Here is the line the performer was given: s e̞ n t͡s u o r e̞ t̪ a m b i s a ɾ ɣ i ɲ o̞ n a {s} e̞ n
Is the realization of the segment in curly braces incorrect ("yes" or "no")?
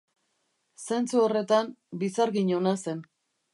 no